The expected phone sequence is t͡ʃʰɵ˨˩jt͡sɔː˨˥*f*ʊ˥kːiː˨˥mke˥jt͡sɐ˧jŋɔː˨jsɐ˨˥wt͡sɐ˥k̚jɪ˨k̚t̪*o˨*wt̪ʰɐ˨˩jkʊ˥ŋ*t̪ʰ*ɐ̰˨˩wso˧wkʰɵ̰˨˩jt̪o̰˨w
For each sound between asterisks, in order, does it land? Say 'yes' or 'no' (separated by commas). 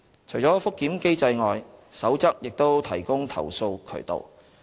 yes, no, yes